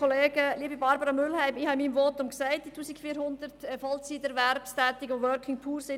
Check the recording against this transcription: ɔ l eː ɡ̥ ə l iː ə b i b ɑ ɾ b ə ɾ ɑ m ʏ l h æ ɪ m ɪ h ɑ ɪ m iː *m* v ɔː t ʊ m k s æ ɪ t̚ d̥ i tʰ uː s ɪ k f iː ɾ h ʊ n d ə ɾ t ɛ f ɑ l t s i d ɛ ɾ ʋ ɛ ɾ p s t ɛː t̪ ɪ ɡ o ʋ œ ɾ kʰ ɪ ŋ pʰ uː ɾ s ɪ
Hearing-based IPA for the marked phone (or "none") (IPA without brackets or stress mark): m